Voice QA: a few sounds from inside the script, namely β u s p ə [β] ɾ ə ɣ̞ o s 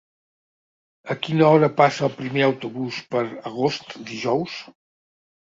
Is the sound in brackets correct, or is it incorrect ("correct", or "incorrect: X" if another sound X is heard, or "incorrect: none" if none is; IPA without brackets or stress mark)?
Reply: incorrect: none